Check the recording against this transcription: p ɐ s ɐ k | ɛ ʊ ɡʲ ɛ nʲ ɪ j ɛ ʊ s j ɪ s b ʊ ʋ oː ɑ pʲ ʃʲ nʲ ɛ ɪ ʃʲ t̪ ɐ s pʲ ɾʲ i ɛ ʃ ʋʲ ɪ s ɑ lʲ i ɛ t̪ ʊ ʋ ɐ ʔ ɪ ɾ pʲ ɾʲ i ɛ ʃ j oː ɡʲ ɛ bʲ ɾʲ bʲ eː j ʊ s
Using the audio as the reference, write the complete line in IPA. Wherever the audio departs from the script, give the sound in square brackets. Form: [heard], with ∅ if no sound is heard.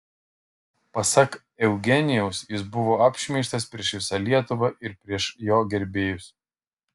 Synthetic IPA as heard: p ɐ s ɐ k | ɛ ʊ ɡʲ ɛ nʲ ɪ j ɛ ʊ s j ɪ s b ʊ ʋ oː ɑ pʲ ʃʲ [mʲ] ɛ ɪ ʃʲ t̪ ɐ s pʲ ɾʲ i ɛ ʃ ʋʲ ɪ s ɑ lʲ i ɛ t̪ ʊ ʋ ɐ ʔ ɪ ɾ pʲ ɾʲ i ɛ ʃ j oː ɡʲ ɛ [∅] ɾʲ bʲ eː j ʊ s

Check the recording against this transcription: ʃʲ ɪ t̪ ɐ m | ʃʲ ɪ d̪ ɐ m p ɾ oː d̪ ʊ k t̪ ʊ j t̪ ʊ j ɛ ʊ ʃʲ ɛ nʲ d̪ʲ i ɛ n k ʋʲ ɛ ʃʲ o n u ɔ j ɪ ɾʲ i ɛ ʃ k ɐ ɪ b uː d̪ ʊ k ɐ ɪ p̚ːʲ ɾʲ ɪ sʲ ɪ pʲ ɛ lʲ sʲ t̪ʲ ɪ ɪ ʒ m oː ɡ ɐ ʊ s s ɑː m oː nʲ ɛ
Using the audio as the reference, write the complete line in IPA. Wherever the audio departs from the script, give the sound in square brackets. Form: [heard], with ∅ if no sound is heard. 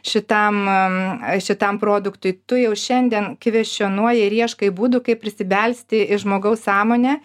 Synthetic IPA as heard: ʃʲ ɪ t̪ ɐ m | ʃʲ ɪ [t̪] ɐ m p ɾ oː d̪ ʊ k t̪ ʊ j t̪ ʊ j ɛ ʊ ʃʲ ɛ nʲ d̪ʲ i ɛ n k ʋʲ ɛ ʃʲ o n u ɔ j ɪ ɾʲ i ɛ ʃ k ɐ ɪ b uː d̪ ʊ k ɐ ɪ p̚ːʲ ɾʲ ɪ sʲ ɪ [bʲ] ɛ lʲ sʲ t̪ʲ ɪ ɪ ʒ m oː ɡ ɐ ʊ s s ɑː m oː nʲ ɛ

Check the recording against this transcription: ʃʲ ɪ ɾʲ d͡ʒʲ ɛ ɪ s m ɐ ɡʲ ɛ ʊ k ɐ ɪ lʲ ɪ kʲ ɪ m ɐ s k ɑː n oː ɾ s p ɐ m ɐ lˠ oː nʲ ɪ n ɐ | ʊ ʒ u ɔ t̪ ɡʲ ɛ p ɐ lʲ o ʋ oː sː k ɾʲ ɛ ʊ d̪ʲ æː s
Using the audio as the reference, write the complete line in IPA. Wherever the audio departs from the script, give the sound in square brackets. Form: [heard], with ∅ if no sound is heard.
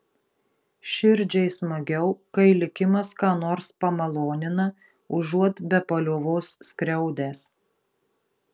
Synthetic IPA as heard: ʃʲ ɪ ɾʲ d͡ʒʲ ɛ ɪ s m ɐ ɡʲ ɛ ʊ k ɐ ɪ lʲ ɪ kʲ ɪ m ɐ s k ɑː n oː ɾ s p ɐ m ɐ lˠ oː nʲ ɪ n ɐ | ʊ ʒ u ɔ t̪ [bʲ] ɛ p ɐ lʲ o ʋ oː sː k ɾʲ ɛ ʊ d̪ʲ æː s

